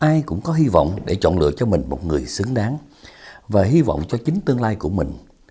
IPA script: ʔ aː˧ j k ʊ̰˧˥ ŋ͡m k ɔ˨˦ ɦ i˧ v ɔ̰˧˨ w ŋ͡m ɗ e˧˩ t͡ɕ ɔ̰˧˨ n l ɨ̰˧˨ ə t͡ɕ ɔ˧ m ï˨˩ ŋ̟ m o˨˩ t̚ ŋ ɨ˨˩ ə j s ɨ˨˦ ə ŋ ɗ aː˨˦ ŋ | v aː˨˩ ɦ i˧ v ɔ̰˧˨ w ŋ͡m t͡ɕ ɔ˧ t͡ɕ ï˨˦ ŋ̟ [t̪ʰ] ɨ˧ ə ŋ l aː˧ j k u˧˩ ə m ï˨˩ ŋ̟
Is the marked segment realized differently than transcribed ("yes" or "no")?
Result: yes